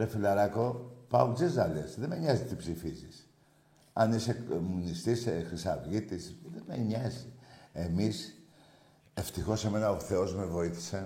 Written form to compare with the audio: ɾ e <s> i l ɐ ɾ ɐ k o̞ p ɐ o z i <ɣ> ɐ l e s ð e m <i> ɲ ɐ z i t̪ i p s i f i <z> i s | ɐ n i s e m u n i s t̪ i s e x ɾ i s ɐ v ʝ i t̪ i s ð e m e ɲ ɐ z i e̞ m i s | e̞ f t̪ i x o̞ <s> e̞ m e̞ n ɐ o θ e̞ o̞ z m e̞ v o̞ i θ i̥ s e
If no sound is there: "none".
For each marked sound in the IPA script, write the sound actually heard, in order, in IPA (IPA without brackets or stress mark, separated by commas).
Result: f, z, e, z, s